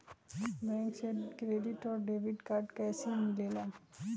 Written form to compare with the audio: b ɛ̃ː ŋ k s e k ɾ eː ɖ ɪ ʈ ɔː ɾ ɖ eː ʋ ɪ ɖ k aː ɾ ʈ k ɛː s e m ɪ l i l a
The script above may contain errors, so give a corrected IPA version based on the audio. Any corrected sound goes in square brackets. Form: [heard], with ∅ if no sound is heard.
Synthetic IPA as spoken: b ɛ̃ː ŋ k s e k ɾ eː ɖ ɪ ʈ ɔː ɾ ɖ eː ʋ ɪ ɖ k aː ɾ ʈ k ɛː s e m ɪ l [e] l a